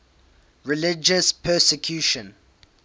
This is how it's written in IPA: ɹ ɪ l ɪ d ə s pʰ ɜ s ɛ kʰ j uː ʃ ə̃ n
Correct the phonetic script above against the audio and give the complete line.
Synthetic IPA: ɹ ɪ l ɪ d͡ʒ ə s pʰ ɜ s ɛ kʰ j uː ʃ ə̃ n